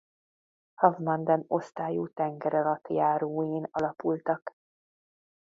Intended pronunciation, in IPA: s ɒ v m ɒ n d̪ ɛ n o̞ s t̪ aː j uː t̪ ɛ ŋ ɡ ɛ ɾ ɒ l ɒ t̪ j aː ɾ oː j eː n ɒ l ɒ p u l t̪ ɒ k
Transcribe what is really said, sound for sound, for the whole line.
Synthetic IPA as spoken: h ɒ v m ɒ n d̪ ɛ n o̞ s t̪ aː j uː t̪ ɛ ŋ ɡ ɛ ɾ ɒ l ɒ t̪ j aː ɾ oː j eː n ɒ l ɒ p u l t̪ ɒ k